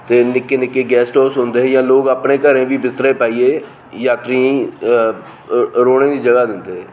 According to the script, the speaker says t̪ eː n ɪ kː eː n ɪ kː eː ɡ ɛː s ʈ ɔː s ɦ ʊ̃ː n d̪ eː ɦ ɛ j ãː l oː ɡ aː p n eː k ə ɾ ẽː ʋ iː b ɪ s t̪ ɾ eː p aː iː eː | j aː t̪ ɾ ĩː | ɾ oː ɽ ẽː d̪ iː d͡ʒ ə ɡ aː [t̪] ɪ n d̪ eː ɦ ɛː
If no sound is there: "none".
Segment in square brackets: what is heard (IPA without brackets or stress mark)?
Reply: d̪